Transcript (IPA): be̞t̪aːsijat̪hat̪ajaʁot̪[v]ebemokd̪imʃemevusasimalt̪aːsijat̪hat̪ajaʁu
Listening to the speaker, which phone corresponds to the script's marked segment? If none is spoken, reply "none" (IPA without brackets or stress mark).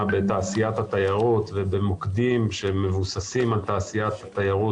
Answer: v